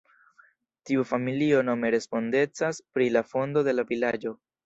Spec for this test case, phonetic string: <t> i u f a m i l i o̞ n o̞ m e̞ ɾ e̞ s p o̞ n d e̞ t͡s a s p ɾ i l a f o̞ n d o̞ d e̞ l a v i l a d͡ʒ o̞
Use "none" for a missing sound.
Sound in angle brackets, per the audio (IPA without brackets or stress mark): t